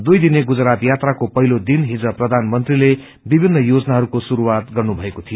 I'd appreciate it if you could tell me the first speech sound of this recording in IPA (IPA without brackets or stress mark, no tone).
d̪